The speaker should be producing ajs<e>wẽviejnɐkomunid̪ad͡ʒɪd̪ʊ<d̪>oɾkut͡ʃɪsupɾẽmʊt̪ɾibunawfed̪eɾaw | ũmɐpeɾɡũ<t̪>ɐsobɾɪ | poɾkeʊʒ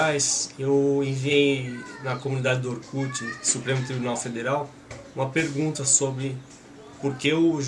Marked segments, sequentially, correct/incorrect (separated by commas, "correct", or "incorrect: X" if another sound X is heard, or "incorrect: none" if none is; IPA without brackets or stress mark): correct, incorrect: none, correct